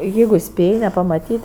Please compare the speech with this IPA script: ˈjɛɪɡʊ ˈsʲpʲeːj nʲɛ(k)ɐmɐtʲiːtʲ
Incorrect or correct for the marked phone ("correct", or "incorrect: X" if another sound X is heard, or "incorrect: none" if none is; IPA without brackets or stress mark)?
incorrect: p